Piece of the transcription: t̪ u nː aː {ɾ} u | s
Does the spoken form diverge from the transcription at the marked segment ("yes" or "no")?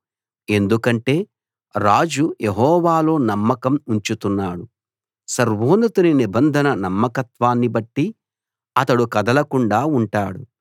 yes